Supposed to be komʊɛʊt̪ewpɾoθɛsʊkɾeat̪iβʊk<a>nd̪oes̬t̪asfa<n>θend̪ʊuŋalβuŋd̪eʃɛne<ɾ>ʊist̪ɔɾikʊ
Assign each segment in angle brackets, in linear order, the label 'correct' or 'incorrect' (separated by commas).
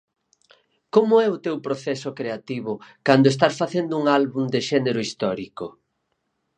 correct, incorrect, correct